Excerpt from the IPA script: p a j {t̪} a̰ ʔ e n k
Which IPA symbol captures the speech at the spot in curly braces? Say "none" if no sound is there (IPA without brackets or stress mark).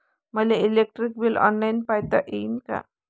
t̪